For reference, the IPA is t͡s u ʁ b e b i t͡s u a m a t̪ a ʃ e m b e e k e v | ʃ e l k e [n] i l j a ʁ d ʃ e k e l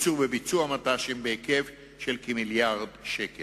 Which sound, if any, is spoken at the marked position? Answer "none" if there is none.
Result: m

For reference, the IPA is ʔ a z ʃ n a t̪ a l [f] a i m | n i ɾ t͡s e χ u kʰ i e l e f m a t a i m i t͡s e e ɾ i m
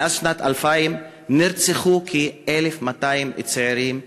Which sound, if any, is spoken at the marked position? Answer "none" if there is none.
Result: f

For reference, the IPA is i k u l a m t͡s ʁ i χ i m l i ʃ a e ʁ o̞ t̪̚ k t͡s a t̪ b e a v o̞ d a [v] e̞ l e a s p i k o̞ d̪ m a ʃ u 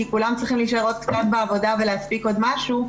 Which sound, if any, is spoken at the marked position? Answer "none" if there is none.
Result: v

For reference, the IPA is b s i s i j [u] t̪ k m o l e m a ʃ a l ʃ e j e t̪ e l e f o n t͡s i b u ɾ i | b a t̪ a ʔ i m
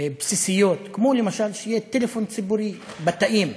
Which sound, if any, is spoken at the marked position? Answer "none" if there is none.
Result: o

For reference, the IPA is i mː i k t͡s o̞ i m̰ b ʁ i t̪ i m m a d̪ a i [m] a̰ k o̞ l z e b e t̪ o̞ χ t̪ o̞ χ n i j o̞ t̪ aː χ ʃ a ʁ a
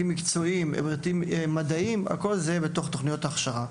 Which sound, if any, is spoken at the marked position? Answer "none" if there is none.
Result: m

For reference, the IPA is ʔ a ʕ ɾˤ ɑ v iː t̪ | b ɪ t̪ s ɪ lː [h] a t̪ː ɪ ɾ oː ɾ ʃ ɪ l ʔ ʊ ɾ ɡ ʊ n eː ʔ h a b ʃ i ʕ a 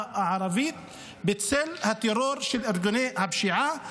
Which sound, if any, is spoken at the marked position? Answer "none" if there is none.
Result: h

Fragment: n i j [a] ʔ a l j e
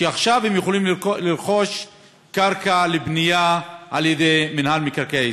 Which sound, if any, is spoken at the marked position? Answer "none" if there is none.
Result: a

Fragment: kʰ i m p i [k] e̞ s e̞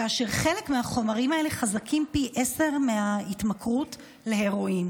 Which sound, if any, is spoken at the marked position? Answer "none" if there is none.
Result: ʔ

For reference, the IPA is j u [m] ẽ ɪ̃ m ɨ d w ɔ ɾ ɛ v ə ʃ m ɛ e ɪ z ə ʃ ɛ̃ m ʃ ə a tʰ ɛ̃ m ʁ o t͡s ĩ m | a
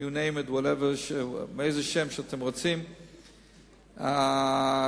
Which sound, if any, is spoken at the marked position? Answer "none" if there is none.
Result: n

